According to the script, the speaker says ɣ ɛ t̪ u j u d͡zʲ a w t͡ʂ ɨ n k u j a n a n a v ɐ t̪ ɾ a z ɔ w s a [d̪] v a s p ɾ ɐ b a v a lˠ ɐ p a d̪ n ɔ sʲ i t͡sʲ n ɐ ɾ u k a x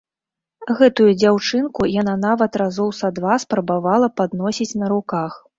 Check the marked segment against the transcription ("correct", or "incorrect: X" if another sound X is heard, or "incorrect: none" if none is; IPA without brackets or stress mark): correct